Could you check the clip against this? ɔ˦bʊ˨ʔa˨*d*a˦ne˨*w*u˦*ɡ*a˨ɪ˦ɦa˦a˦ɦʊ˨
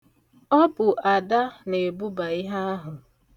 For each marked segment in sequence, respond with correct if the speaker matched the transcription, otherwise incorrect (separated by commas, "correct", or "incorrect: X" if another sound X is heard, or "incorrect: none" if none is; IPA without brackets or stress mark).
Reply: correct, incorrect: b, incorrect: b